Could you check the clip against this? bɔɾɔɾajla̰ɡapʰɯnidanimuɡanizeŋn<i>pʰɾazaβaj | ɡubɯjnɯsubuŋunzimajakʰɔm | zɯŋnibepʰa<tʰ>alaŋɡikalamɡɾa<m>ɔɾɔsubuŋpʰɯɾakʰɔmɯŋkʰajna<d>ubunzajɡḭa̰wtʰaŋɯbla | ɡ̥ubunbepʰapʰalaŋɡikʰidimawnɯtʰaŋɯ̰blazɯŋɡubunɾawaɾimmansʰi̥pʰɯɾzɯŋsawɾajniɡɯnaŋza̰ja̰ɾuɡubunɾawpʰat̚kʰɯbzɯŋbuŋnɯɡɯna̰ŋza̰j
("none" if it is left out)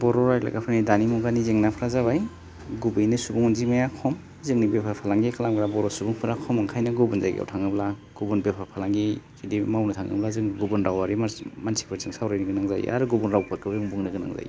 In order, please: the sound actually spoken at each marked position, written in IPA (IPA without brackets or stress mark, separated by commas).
a, pʰ, b, ɡ